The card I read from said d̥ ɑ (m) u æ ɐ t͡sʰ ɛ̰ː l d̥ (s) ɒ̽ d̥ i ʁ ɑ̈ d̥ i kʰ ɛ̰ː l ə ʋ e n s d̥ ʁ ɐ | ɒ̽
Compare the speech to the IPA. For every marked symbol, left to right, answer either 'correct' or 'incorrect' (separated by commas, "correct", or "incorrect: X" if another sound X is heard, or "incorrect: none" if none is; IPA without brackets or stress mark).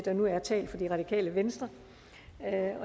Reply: incorrect: n, incorrect: f